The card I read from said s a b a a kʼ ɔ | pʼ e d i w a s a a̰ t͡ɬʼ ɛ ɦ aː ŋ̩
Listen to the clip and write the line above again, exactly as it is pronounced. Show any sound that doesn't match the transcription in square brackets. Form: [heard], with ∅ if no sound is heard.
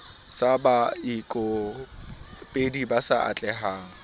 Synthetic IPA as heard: s a b a [i] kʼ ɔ | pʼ e d i [b] a s a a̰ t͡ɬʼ ɛ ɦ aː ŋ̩